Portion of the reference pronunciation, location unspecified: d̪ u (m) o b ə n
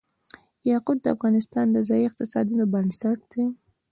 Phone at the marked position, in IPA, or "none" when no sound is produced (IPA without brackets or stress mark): n